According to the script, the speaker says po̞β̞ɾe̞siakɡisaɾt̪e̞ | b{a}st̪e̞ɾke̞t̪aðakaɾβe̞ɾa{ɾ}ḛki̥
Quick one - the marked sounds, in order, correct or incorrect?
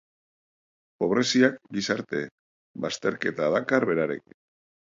correct, correct

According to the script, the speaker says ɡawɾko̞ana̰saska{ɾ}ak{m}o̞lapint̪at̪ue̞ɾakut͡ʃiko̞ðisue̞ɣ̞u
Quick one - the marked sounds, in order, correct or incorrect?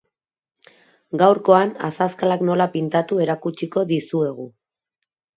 incorrect: l, incorrect: n

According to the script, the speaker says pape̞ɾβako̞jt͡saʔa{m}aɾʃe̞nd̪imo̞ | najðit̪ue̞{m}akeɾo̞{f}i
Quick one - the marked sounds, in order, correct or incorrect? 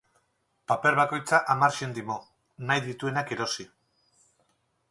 correct, incorrect: n, incorrect: s

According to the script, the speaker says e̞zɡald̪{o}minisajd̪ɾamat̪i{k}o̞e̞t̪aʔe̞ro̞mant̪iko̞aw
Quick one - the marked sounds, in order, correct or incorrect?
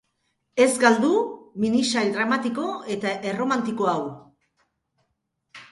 incorrect: u, correct

